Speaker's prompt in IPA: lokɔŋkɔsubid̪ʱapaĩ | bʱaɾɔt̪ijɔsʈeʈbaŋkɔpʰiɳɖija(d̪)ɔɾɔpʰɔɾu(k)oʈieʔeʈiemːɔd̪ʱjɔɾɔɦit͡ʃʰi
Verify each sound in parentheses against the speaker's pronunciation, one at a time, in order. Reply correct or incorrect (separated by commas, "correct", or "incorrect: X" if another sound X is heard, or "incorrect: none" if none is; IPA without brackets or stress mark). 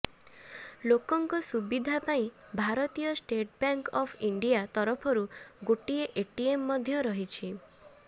incorrect: t̪, incorrect: ɡ